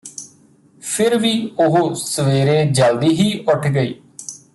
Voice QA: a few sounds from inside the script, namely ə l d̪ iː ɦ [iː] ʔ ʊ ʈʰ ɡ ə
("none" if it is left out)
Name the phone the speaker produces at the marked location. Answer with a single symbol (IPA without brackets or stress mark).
iː